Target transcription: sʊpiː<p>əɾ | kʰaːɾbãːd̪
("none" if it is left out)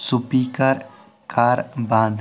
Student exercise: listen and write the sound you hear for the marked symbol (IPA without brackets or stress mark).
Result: k